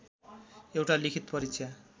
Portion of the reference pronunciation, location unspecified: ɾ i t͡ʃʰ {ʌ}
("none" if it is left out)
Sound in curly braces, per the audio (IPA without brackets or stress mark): a